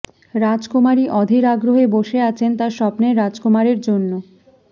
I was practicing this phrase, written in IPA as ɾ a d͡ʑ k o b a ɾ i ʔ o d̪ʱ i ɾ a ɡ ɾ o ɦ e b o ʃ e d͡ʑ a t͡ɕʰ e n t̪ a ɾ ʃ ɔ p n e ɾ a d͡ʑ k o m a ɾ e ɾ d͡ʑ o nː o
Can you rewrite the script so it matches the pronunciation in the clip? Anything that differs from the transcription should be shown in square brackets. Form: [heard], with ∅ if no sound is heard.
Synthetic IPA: ɾ a d͡ʑ k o [m] a ɾ i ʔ [ɔ] d̪ʱ i ɾ a ɡ ɾ o ɦ e b o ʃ e [∅] a t͡ɕʰ e n t̪ a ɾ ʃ ɔ p n e ɾ a d͡ʑ k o m a ɾ e ɾ d͡ʑ o nː o

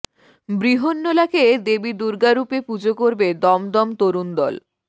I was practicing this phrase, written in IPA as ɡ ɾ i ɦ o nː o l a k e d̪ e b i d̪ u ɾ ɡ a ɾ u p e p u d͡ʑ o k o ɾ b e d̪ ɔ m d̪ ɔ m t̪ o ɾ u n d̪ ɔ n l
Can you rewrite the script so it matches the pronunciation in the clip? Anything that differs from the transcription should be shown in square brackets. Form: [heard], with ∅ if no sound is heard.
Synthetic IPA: [b] ɾ i ɦ o nː o l a k e d̪ e b i d̪ u ɾ ɡ a ɾ u p e p u d͡ʑ o k o ɾ b e d̪ ɔ m d̪ ɔ m t̪ o ɾ u n d̪ ɔ [∅] l

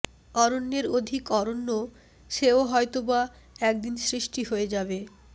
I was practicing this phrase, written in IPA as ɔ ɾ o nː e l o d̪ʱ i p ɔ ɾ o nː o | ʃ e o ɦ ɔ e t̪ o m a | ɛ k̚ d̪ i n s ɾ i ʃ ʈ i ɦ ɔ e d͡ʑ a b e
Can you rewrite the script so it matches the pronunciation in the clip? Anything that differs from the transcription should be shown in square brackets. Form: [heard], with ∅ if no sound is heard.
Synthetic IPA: ɔ ɾ o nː e [ɾ] o d̪ʱ i [k] ɔ ɾ o nː o | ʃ e o ɦ ɔ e t̪ o [b] a | ɛ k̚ d̪ i n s ɾ i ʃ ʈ i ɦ [o] e d͡ʑ a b e

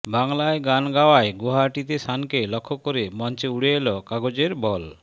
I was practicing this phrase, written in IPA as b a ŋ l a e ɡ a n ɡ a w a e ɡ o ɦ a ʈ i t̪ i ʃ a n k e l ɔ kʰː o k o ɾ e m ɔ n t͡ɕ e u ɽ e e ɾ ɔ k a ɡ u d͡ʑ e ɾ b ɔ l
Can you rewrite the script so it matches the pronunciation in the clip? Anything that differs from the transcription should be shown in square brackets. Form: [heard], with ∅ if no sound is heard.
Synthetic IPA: b a ŋ l a e ɡ a n ɡ a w a e ɡ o ɦ a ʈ i t̪ [e] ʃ a n k e l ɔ kʰː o k o ɾ e m ɔ n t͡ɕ e u ɽ e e [l] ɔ k a ɡ [o] d͡ʑ e ɾ b ɔ l

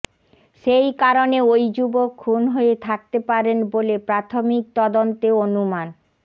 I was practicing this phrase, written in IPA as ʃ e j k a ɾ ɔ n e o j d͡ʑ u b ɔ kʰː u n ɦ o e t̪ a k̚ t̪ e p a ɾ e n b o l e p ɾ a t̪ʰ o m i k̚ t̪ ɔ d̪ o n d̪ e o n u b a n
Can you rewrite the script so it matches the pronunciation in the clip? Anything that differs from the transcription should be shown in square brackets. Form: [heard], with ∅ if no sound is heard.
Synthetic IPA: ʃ e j k a ɾ [o] n e o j d͡ʑ u b [o] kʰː u n ɦ o e [t̪ʰ] a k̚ t̪ e p a ɾ e n b o l e p ɾ a t̪ʰ o m i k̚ t̪ ɔ d̪ o n [t̪] e o n u [m] a n

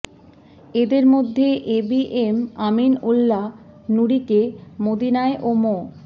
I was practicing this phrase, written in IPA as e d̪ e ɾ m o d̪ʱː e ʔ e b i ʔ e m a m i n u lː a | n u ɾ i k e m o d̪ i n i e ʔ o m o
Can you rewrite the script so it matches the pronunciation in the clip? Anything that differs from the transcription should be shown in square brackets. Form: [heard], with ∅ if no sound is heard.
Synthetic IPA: e d̪ e ɾ m o d̪ʱː e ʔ e b i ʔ e m a m i n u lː a | n u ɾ i k e m o d̪ i n [a] e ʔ o m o

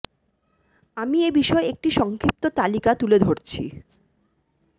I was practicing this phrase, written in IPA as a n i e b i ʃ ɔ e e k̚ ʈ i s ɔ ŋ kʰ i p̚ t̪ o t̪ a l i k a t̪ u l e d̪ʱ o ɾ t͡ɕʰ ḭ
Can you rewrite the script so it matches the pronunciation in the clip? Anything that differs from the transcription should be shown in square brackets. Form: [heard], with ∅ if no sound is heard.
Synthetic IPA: a [m] i e b i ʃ ɔ e e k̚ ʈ i [ʃ] ɔ ŋ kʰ i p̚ t̪ o t̪ a l i k a t̪ u l e d̪ʱ o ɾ t͡ɕʰ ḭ

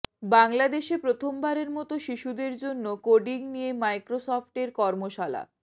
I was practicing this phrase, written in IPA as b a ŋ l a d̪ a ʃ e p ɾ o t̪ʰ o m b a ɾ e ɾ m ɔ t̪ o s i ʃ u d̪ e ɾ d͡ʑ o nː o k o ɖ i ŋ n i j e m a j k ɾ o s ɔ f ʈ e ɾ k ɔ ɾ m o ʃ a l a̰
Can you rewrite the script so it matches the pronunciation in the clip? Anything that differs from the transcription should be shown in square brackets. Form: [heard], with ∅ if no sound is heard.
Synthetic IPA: b a ŋ l a d̪ [e] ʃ e p ɾ o t̪ʰ o m b a ɾ e ɾ m ɔ t̪ o [ʃ] i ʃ u d̪ e ɾ d͡ʑ o nː o k o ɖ i ŋ n i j e m a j k ɾ o s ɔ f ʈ e ɾ k ɔ ɾ m o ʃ a l a̰

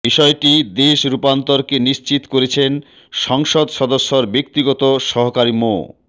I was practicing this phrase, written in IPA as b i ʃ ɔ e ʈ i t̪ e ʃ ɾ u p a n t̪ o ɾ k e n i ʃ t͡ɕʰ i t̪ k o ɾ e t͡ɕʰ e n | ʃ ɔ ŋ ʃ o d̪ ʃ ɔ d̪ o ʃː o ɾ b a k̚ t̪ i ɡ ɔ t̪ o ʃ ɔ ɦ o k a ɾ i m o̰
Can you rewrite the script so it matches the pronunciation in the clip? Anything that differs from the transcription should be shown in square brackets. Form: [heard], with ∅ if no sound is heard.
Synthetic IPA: b i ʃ ɔ e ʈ i [d̪] e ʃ ɾ u p a n t̪ o ɾ k e n i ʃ [t͡ɕ] i t̪ k o ɾ e t͡ɕʰ e n | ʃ ɔ ŋ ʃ o d̪ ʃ ɔ d̪ o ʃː o ɾ b [e] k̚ t̪ i ɡ ɔ t̪ o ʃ ɔ ɦ o k a ɾ i m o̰

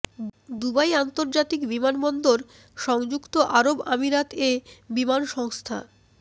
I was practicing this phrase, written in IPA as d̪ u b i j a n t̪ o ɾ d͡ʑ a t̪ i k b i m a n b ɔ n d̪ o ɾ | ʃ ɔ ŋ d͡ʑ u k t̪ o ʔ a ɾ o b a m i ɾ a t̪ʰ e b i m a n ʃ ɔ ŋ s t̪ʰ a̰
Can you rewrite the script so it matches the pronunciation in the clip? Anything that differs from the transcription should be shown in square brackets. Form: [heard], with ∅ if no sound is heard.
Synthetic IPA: d̪ u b [a] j a n t̪ o ɾ d͡ʑ a t̪ i k b i m a n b ɔ n d̪ o ɾ | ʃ ɔ ŋ d͡ʑ u k t̪ o ʔ a ɾ o b a m i ɾ a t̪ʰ e b i m a n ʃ ɔ ŋ s t̪ʰ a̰

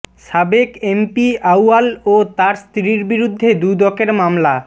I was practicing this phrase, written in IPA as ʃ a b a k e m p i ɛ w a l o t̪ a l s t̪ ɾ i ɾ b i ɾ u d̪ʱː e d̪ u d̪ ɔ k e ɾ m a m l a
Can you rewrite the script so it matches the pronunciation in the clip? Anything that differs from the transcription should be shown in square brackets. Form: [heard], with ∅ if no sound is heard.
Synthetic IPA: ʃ a b [e] k e m p i [a] w a l o t̪ a [ɾ] s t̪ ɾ i ɾ b i ɾ u d̪ʱː e d̪ u d̪ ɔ k e ɾ m a m l a

